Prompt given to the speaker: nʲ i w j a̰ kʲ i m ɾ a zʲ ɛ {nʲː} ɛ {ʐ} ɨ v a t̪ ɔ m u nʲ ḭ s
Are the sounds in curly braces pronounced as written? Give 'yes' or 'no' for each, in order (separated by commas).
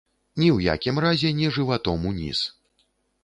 no, yes